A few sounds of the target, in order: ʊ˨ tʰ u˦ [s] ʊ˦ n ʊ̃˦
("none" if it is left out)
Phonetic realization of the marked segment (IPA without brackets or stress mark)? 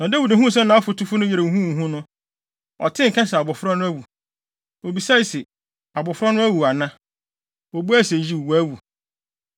f